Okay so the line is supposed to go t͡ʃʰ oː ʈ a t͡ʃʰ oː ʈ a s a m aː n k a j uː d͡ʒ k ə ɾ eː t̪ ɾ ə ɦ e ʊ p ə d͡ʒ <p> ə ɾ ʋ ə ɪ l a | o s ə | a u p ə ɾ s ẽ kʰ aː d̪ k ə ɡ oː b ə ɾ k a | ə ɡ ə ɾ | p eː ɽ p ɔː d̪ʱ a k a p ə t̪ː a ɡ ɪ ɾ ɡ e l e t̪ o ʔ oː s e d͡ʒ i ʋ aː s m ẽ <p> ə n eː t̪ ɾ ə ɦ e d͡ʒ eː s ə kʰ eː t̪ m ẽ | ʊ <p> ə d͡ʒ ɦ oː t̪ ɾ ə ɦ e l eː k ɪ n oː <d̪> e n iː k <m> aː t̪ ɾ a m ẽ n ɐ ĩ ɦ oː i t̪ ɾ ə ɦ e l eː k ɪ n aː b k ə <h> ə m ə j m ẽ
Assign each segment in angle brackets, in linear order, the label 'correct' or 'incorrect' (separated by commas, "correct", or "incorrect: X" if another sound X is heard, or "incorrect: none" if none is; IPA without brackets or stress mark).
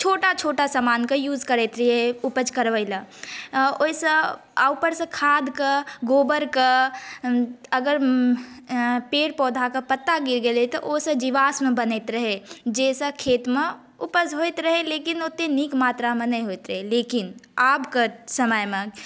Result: incorrect: k, incorrect: b, correct, incorrect: t̪, correct, incorrect: s